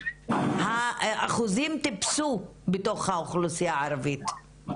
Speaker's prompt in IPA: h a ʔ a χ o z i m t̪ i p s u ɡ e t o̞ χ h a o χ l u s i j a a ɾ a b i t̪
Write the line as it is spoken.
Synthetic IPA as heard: h a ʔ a χ u z i m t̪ i p s u b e t o̞ χ h a o χ l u s i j a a ɾ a v i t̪